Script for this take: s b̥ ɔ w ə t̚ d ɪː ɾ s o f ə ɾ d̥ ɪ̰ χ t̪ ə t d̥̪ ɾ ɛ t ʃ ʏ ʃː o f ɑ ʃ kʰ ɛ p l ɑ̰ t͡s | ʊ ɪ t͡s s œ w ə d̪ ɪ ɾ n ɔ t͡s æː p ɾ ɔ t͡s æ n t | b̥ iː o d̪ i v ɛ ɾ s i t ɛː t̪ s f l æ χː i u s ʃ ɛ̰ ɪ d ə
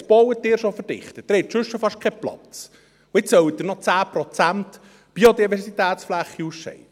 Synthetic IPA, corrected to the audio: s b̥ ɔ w ə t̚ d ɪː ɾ ʃ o f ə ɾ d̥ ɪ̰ χ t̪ ə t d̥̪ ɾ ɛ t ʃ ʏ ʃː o f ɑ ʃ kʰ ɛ p l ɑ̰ t͡s | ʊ ɪ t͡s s œ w ə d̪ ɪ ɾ n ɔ t͡s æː p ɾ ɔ t͡s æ n t | b̥ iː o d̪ i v ɛ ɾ s i t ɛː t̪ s f l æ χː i u s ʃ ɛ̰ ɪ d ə